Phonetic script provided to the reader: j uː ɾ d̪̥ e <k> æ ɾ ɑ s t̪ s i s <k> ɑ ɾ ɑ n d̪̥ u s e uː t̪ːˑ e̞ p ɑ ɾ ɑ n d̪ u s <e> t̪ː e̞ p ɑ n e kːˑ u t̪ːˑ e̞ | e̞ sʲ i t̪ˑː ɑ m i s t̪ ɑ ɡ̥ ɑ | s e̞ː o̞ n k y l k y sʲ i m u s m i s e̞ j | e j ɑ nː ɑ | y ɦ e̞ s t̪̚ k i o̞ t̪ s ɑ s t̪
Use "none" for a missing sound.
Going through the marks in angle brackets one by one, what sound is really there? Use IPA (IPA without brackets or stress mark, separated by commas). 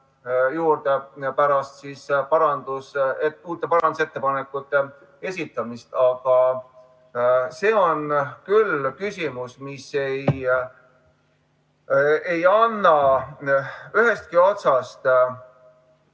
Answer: p, p, e